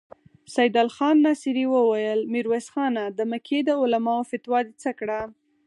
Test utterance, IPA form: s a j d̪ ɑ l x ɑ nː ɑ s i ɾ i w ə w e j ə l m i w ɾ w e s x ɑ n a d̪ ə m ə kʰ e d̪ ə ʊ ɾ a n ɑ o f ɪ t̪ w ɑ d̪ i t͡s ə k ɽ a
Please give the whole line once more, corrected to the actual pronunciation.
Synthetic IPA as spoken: s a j d̪ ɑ l x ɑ nː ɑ s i ɾ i w ə w a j ə l m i ɾ w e s x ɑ n a d̪ ə m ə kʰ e d̪ ə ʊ l a m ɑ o f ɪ t̪ w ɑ d̪ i t͡s ə k ɽ a